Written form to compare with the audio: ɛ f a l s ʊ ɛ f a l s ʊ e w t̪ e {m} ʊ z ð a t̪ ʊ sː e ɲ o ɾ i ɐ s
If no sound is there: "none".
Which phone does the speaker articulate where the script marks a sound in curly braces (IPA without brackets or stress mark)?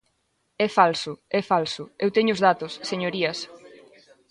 ɲ